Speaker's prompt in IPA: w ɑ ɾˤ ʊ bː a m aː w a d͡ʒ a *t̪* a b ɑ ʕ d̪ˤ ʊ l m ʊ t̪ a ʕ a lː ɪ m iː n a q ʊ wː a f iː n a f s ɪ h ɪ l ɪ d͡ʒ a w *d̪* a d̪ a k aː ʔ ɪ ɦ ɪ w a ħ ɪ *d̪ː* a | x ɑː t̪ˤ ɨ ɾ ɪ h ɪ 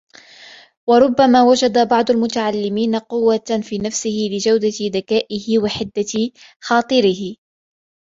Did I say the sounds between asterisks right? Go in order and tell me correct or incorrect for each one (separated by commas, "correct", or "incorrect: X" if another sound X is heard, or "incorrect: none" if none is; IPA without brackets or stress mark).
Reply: incorrect: d̪, correct, correct